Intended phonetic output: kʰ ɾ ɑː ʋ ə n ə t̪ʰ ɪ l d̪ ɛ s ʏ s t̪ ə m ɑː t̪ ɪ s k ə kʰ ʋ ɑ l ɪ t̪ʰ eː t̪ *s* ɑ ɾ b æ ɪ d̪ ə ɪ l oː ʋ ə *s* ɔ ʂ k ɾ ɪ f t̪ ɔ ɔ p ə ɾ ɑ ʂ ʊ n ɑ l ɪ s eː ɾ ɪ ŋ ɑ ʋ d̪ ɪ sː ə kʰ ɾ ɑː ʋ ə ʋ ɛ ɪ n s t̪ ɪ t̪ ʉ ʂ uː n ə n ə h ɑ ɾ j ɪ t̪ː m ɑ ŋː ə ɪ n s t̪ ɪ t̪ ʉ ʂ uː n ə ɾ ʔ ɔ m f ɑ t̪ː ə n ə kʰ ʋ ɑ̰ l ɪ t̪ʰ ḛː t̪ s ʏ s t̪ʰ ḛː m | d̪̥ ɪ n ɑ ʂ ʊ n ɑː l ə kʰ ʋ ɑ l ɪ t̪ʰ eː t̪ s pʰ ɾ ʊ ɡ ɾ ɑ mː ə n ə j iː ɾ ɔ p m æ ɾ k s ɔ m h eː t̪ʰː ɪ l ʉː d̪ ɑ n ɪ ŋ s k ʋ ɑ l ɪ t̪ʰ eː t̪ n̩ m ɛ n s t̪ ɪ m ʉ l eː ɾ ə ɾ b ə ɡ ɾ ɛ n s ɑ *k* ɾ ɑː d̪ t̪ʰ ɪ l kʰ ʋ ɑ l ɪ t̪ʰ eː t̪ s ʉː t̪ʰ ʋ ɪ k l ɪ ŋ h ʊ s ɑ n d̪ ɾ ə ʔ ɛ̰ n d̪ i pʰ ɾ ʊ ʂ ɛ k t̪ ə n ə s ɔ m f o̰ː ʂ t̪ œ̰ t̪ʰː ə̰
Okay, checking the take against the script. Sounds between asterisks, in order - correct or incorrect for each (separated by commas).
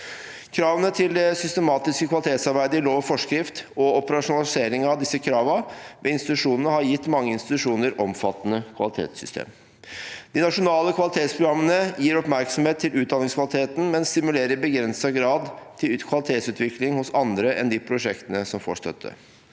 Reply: correct, incorrect, incorrect